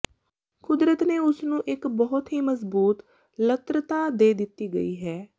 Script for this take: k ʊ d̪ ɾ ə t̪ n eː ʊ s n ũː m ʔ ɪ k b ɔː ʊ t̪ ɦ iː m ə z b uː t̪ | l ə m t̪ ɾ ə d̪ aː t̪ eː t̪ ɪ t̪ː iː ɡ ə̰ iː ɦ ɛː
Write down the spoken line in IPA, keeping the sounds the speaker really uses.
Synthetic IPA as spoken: k ʊ d̪ ɾ ə t̪ n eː ʊ s n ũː ʔ ɪ k b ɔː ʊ t̪ ɦ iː m ə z b uː t̪ | l ə t̪ ɾ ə t̪ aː d̪ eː d̪ ɪ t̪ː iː ɡ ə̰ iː ɦ ɛː